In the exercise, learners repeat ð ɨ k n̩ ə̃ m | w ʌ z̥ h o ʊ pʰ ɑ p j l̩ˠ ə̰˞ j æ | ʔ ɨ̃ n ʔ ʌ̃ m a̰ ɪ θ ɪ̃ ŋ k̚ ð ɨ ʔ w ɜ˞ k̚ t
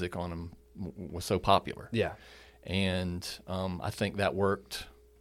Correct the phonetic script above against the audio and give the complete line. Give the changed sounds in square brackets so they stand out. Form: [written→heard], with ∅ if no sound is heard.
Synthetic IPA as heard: [ð→z] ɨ k n̩ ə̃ m | w ʌ z̥ [h→s] o ʊ pʰ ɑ p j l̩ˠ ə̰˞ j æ | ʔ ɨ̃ n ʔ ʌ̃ m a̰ ɪ θ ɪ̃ ŋ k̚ ð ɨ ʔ w ɜ˞ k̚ t